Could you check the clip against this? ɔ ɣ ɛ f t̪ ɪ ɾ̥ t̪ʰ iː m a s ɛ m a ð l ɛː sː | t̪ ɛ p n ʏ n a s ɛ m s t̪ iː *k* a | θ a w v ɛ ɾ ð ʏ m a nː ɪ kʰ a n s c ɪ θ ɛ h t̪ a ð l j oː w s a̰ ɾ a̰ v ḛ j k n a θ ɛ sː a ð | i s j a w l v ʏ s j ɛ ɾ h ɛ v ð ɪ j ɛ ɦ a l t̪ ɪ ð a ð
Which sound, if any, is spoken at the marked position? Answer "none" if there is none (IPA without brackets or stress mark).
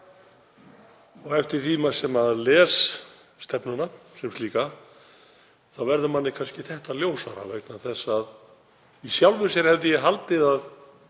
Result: k